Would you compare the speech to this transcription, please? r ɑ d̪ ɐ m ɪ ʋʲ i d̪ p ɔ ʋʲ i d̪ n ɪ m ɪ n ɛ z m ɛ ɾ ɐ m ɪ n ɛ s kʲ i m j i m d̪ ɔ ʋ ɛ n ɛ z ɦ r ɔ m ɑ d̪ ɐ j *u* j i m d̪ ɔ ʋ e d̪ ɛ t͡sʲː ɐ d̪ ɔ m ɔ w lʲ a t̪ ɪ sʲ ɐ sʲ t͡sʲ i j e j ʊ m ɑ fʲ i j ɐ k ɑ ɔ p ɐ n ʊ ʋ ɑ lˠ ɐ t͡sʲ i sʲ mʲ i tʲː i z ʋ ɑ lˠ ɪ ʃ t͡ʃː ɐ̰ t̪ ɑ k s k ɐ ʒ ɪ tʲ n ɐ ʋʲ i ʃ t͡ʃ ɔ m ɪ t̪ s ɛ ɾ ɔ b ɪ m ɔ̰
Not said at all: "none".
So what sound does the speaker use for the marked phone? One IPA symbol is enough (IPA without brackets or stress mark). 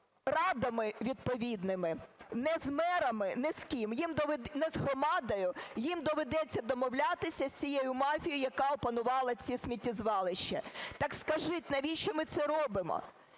ʊ